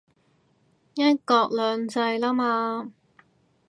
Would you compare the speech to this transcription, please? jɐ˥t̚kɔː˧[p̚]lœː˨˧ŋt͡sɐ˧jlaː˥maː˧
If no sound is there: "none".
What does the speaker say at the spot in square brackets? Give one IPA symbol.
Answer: k̚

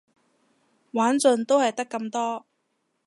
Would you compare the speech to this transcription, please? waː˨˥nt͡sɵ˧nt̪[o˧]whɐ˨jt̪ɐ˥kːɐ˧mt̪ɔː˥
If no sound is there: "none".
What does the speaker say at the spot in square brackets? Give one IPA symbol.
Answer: o˥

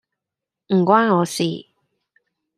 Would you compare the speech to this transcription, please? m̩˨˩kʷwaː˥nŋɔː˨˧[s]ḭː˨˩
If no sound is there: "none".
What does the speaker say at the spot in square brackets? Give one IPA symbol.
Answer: s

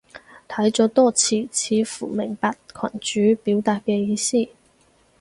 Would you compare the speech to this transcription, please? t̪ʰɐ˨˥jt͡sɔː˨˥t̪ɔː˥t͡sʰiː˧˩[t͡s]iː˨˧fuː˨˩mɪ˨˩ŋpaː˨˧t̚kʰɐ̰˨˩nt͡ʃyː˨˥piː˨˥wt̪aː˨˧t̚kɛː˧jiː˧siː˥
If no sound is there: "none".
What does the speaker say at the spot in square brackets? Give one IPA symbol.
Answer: t͡sʰ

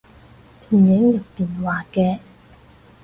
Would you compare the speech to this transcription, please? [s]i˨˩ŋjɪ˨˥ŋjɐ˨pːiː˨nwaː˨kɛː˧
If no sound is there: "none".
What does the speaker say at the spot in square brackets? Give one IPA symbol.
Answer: t͡s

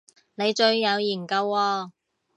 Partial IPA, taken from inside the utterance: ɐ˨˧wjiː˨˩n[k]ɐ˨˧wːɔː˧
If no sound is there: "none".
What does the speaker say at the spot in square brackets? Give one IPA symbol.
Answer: k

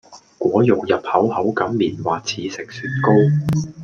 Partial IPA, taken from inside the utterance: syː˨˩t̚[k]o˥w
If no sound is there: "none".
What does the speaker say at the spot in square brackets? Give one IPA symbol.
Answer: k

